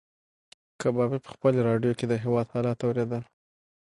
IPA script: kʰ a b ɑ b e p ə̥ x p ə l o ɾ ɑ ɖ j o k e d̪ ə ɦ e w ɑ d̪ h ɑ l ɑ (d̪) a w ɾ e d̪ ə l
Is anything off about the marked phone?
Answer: yes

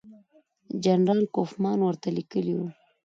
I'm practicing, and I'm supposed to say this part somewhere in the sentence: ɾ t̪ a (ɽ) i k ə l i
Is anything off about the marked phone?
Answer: yes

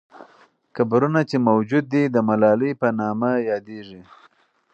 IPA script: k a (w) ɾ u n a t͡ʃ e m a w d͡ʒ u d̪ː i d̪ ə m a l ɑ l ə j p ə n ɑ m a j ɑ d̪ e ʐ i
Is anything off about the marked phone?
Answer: yes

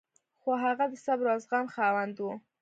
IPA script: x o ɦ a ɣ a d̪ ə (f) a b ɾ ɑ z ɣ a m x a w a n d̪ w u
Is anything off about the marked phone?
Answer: yes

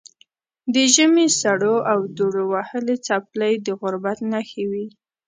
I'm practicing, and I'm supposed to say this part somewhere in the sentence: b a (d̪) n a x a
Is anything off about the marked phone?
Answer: yes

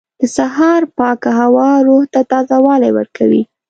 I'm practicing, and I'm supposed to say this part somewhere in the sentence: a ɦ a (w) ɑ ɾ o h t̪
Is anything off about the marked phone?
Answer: no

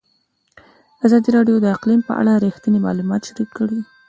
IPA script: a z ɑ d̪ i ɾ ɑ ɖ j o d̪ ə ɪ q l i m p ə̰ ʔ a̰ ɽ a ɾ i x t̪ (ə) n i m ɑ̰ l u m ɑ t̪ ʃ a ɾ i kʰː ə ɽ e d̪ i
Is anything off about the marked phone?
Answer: no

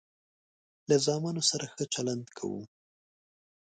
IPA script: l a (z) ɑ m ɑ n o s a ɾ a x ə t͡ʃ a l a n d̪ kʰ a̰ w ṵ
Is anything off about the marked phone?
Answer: no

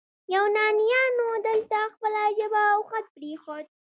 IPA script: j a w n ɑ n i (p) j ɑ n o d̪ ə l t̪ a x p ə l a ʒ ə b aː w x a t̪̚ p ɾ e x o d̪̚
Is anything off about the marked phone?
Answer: yes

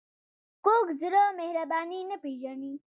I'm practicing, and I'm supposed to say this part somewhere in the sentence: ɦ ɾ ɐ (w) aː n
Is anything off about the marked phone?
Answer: yes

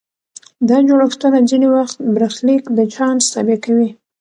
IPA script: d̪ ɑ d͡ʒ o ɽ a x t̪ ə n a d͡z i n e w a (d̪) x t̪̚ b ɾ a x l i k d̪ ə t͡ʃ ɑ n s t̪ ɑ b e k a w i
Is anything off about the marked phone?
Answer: yes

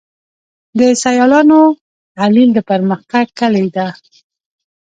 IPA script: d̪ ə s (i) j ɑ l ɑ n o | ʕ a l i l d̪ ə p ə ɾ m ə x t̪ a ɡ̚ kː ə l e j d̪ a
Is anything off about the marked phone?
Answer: yes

